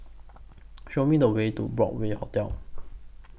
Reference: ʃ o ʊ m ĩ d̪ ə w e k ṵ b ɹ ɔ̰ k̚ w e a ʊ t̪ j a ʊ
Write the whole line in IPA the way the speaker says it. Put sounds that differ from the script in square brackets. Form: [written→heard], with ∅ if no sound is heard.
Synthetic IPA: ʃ o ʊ m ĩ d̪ ə w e [k→t] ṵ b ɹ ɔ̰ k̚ w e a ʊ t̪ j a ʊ

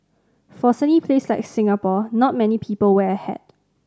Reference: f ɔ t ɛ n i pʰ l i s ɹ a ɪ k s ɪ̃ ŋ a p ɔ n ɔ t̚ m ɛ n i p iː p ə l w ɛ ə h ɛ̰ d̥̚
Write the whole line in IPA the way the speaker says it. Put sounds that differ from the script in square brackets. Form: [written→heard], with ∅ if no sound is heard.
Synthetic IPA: f ɔ [t→s] ɛ n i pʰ l [i→e] s [ɹ→l] a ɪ k s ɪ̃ ŋ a p ɔ n ɔ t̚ m ɛ n i [p→pʰ] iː p ə l w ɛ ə h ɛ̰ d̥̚

